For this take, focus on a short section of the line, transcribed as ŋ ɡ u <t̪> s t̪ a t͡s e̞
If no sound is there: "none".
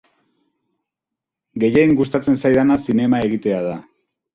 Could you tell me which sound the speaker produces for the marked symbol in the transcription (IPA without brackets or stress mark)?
none